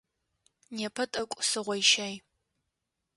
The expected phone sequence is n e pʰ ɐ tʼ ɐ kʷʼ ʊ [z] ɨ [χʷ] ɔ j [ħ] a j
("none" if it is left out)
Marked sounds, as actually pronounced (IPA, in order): s, ʁʷ, ʃ

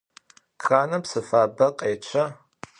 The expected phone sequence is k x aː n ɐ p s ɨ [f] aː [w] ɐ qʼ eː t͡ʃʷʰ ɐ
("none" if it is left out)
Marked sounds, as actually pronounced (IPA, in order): f, b

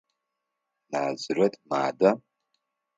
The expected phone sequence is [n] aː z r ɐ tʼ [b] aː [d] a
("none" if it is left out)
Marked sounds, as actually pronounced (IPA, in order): n, m, d

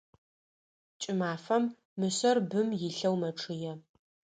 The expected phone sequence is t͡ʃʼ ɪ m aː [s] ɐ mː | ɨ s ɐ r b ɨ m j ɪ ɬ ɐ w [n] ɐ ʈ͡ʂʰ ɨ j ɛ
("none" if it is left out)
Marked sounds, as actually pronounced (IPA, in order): f, m

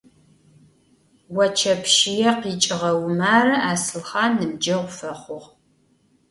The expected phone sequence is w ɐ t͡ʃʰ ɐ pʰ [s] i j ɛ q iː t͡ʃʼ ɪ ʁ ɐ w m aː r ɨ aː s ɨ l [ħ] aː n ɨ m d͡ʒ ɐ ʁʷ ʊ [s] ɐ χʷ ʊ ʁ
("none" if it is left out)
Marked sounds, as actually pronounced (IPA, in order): ʃ, χ, f

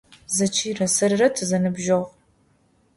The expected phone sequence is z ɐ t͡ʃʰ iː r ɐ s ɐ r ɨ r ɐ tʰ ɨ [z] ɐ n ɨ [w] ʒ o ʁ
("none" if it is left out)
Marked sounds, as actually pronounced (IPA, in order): z, b

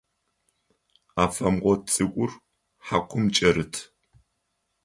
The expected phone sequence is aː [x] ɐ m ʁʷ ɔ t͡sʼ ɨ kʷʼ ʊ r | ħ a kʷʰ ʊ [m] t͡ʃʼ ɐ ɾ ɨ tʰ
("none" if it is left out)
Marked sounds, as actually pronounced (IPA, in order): f, m

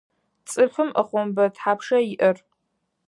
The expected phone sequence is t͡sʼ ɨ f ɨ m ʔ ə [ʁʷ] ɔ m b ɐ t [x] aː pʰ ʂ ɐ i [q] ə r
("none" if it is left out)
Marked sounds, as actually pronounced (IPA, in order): χʷ, ħ, ʔ

